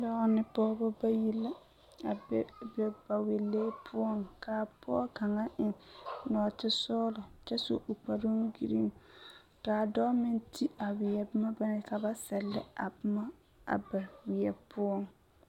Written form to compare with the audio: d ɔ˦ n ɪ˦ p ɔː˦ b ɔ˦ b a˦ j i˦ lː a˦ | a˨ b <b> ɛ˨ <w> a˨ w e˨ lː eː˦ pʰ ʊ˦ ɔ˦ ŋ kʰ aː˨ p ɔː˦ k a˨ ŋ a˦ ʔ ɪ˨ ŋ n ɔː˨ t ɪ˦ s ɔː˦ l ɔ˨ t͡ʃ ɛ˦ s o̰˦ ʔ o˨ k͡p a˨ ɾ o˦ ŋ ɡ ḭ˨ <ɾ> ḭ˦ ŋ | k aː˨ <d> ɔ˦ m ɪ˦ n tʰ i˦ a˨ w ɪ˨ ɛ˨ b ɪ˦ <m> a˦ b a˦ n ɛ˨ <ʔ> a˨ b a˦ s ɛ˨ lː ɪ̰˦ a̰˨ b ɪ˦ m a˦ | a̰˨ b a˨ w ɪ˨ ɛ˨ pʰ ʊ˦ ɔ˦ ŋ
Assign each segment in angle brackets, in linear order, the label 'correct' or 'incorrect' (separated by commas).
correct, incorrect, correct, correct, correct, incorrect